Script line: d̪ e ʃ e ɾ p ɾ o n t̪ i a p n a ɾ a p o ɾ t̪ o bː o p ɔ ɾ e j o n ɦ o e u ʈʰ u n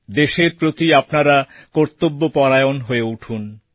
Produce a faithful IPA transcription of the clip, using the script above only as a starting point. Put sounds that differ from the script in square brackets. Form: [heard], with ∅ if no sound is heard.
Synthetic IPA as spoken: d̪ e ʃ e ɾ p ɾ o [∅] t̪ i a p n a ɾ a [k] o ɾ t̪ o bː o p ɔ ɾ [a] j o n ɦ o e u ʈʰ u n